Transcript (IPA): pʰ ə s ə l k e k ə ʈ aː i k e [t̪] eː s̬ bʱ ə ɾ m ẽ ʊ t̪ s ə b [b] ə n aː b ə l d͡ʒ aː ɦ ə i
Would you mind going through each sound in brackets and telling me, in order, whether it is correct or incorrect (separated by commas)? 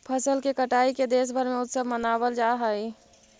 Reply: incorrect, incorrect